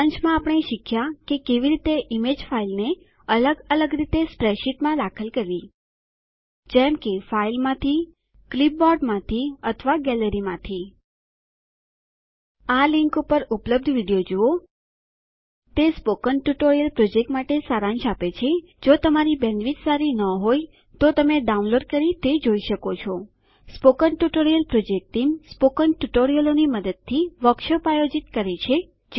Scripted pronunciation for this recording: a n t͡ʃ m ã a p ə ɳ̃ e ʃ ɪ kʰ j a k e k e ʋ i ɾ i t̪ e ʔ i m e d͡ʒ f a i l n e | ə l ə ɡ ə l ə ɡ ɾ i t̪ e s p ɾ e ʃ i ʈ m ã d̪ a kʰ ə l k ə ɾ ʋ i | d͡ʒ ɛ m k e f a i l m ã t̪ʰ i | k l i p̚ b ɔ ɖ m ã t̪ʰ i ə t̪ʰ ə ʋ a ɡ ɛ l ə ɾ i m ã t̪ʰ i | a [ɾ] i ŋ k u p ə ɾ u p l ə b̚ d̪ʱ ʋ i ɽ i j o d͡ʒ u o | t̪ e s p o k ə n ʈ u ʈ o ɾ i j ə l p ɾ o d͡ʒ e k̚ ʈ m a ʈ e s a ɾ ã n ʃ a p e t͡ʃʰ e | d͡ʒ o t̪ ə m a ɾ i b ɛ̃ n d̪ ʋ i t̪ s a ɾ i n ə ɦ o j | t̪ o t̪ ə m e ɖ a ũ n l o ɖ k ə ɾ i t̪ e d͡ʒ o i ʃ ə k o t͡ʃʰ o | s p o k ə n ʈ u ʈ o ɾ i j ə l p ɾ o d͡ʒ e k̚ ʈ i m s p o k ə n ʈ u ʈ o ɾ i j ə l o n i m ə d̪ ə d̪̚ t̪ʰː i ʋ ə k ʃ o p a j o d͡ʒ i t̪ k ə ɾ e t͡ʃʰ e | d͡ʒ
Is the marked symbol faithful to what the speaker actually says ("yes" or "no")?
no